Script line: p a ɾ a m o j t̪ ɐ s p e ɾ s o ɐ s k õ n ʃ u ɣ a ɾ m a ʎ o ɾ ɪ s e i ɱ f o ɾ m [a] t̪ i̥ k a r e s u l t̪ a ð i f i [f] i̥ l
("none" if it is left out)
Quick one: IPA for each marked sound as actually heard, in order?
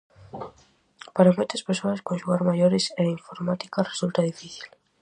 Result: a, θ

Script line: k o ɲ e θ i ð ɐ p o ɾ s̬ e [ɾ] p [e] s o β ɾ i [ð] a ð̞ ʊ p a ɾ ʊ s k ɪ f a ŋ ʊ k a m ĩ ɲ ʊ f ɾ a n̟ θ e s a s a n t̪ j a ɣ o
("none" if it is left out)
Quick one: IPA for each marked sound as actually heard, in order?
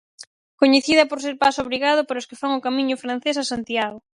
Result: ɾ, a, ɣ

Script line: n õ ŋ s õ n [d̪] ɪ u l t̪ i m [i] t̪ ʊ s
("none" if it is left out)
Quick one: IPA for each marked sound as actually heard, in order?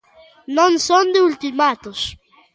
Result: d̪, a

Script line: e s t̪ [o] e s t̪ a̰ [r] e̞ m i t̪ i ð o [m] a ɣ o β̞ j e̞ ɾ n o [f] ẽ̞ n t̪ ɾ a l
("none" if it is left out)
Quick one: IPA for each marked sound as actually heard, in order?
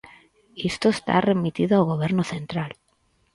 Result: o, r, none, θ

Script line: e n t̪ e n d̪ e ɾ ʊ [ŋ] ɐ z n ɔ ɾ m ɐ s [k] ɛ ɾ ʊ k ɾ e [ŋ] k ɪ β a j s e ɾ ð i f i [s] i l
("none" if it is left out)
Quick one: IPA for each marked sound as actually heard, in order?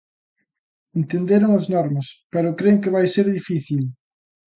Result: ŋ, p, ŋ, θ

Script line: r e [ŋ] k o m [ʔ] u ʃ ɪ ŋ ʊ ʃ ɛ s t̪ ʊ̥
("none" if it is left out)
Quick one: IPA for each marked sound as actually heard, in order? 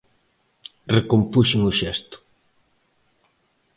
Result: none, p

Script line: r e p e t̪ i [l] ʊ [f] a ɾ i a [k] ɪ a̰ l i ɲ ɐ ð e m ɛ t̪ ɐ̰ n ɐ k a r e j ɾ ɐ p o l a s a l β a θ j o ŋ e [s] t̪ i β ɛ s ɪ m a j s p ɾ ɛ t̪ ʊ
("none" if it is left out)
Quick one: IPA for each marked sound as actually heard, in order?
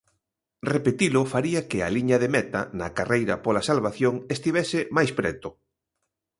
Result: l, f, k, s

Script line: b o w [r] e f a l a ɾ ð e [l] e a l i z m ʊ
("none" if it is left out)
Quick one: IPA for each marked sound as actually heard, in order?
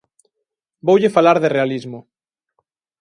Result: ʎ, r

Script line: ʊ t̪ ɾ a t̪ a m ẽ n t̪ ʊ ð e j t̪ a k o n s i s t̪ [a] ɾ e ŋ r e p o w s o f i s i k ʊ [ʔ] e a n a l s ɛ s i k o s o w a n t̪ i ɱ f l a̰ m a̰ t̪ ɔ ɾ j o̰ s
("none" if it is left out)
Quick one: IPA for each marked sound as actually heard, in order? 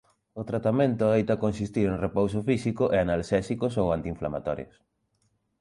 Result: i, ʔ

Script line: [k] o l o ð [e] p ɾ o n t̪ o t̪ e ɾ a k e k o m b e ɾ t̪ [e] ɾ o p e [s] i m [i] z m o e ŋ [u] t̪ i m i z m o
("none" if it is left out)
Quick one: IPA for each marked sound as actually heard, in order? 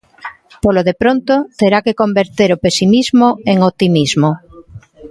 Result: p, e, e, s, i, o

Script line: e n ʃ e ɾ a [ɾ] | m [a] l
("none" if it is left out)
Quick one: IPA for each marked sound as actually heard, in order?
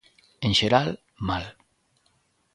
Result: l, a

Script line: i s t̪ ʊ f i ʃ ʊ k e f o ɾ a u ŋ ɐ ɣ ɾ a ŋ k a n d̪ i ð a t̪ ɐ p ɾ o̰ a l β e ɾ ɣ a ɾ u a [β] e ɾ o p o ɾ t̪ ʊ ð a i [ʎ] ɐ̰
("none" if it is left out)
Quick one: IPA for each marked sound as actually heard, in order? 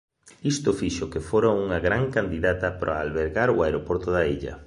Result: none, ʎ

